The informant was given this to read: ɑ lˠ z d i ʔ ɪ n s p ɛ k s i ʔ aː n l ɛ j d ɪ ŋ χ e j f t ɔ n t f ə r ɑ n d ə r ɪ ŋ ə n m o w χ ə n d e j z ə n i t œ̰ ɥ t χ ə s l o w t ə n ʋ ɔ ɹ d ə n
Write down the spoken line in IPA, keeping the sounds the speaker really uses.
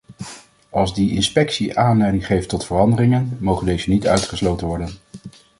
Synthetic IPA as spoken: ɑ lˠ z d i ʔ ɪ n s p ɛ k s i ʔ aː n l ɛ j d ɪ ŋ χ e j f t ɔ t f ə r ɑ n d ə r ɪ ŋ ə n m o w χ ə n d e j z ə n i t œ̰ ɥ t χ ə s l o w t ə n ʋ ɔ ɹ d ə n